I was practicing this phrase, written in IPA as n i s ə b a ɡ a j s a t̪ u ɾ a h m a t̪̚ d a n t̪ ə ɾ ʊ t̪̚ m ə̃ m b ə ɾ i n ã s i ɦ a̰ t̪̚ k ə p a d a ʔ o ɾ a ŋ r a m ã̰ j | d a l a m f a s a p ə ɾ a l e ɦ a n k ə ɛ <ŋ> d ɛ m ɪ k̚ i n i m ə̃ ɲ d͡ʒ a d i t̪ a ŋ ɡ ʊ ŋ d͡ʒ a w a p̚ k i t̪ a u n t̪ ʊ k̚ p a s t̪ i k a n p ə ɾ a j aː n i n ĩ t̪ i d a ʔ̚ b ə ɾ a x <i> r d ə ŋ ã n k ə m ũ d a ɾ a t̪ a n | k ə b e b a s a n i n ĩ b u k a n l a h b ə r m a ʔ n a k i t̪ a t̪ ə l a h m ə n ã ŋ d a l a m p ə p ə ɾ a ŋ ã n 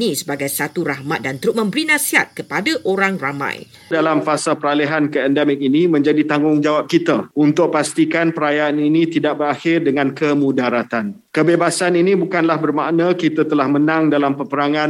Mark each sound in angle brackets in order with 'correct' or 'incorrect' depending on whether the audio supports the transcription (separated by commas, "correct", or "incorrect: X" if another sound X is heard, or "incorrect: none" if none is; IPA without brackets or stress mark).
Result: incorrect: n, incorrect: ɪ